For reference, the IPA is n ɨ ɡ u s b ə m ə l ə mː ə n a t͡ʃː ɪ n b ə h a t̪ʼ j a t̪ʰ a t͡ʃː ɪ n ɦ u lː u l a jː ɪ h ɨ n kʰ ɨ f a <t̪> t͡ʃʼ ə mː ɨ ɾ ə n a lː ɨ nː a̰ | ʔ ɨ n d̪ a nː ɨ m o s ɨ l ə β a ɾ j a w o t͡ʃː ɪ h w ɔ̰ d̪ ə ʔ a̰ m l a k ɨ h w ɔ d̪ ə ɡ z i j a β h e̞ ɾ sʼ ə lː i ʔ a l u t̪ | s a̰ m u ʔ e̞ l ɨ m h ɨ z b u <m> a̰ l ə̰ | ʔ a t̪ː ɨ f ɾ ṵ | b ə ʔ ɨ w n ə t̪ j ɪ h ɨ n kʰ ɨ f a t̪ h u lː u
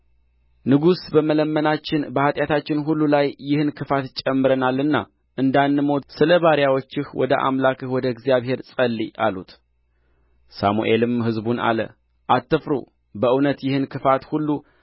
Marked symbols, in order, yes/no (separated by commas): yes, no